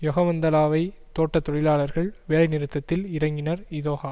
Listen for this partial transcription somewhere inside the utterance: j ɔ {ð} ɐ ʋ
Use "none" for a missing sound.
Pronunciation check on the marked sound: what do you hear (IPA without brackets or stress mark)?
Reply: ɣ